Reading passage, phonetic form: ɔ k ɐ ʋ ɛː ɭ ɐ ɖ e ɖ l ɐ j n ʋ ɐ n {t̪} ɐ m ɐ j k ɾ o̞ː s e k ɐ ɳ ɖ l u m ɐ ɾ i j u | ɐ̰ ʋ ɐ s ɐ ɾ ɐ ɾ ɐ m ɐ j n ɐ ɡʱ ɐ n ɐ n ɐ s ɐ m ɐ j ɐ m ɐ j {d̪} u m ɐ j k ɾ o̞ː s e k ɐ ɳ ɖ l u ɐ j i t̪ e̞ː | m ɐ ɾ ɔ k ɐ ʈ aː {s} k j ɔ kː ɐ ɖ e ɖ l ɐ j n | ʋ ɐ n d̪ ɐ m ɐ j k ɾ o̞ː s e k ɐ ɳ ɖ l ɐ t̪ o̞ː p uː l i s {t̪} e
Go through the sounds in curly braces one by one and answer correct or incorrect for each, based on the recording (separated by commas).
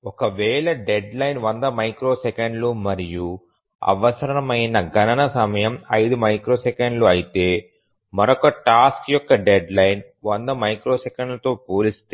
incorrect, correct, correct, correct